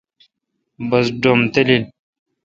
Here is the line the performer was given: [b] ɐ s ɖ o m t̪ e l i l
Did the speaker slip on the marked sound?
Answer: no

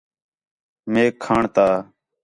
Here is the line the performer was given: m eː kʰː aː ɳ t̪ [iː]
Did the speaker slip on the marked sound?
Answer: yes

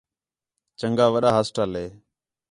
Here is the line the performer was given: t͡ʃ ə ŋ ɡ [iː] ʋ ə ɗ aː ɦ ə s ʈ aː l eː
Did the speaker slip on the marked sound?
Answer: yes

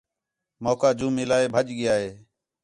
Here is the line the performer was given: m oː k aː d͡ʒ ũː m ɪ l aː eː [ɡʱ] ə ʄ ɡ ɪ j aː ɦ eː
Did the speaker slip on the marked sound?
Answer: yes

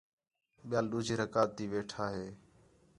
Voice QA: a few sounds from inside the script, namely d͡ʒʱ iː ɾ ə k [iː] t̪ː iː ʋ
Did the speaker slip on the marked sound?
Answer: yes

